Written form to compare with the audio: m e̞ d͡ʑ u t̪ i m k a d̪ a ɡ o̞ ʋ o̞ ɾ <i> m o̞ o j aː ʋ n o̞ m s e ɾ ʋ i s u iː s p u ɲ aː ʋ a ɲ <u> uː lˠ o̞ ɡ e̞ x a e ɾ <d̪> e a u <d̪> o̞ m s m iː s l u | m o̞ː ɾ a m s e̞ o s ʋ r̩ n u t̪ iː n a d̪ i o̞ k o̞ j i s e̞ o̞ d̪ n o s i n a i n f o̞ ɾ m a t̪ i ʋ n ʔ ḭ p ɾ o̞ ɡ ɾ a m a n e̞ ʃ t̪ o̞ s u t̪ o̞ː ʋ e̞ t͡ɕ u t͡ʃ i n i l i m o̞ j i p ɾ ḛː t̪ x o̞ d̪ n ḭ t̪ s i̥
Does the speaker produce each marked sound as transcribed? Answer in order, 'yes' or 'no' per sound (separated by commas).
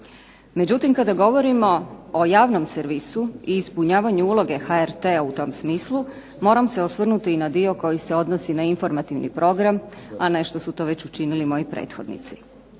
yes, yes, no, no